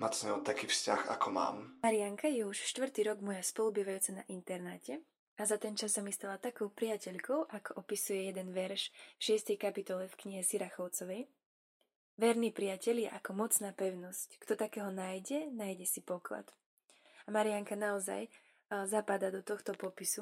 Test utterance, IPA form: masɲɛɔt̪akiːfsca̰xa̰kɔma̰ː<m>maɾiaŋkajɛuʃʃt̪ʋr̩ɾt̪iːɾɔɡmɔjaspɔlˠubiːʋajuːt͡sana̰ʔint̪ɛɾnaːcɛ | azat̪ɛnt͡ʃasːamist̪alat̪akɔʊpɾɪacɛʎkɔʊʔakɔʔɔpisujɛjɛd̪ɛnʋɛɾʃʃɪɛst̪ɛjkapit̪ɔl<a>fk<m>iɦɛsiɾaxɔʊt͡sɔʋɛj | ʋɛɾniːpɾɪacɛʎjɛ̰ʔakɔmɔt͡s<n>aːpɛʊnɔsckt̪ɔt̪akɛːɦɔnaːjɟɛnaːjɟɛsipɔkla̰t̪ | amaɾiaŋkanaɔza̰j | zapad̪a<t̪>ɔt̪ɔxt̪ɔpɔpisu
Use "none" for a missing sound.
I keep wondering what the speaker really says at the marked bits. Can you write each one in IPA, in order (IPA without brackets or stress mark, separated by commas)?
m, ɛ, ɲ, n, d̪